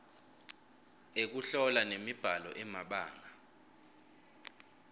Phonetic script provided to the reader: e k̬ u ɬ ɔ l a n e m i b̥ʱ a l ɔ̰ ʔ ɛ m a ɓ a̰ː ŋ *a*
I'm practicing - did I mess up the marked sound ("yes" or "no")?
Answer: no